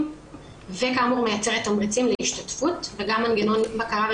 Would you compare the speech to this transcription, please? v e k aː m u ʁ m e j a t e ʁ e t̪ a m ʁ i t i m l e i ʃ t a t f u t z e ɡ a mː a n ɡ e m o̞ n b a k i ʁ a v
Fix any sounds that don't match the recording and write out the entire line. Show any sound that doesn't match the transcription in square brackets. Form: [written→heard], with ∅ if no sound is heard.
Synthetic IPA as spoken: v e k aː m u ʁ m e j a [t→t͡s] e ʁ e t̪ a m ʁ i [t→t͡s] i m l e i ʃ t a t f u t [z→v] e ɡ a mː a n ɡ e [m→n] o̞ n b a k [i→a] ʁ a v